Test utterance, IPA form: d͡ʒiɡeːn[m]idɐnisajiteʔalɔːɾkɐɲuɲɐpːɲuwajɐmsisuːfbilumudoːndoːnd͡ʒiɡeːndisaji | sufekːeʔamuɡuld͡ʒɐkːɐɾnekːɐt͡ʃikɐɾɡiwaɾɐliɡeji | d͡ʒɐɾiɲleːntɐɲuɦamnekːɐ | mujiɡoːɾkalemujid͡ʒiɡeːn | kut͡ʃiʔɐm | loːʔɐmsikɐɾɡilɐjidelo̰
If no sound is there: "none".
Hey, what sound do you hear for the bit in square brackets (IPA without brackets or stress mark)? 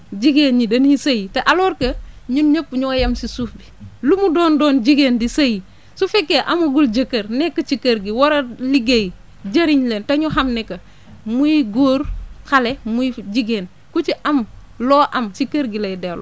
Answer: ɲ